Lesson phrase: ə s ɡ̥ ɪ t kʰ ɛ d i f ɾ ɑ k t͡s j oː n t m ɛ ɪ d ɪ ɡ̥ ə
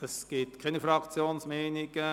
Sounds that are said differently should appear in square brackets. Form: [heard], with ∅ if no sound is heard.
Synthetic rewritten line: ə s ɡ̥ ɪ t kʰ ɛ [n] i f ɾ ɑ k t͡s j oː n [s] m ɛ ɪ [n] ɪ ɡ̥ ə